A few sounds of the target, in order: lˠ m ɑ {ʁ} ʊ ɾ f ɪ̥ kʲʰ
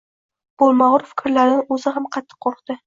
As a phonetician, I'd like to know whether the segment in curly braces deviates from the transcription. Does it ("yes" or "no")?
no